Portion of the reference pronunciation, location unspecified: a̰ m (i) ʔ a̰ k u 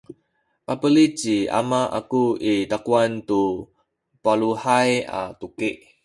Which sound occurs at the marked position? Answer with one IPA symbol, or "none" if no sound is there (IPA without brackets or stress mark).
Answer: a